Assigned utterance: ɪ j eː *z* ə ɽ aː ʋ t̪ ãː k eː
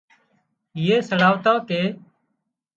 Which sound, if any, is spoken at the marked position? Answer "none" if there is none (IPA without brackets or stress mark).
s